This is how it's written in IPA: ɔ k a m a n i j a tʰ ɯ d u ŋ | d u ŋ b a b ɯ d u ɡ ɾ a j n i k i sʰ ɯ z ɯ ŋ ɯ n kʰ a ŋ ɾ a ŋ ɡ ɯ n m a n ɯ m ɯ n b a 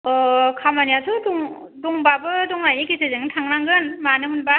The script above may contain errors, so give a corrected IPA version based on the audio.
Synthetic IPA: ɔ kʰ a m a n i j a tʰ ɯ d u ŋ | d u ŋ b a b ɯ d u ŋ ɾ a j n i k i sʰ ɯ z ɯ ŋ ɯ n tʰ a ŋ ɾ a ŋ ɡ ɯ n m a n ɯ m ɯ n b a